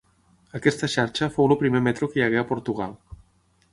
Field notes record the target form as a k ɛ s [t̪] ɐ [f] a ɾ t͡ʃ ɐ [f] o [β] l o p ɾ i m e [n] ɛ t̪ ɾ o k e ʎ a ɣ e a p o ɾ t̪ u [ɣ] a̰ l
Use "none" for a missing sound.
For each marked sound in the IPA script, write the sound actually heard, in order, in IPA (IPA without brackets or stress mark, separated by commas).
t̪, ʃ, f, w, m, ɣ